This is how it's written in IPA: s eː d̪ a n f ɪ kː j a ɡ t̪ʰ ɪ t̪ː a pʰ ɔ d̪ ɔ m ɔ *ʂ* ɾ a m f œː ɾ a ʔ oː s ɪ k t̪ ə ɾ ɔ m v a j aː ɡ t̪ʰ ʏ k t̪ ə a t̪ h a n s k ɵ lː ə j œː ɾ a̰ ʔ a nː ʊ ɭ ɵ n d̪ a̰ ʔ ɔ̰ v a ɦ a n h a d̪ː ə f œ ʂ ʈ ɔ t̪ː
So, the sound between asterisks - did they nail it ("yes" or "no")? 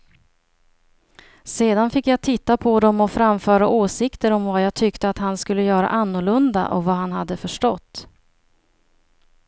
no